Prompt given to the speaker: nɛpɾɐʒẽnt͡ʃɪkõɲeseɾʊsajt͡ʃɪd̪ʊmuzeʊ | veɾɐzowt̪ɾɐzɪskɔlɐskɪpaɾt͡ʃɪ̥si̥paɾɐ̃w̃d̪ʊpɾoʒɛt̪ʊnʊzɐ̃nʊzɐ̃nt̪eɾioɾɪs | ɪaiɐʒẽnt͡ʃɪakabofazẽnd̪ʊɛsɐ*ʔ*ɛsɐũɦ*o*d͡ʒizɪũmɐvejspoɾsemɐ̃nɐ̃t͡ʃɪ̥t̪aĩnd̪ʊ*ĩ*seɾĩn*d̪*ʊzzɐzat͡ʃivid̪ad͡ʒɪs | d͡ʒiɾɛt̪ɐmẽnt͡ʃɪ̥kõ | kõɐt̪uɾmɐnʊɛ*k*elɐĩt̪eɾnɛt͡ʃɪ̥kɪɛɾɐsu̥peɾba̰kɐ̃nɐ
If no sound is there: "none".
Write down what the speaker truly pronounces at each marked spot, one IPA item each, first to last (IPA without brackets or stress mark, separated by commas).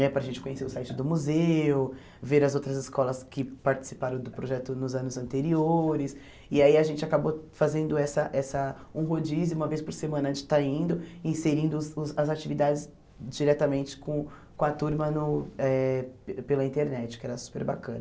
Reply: ʔ, o, ĩ, d̪, p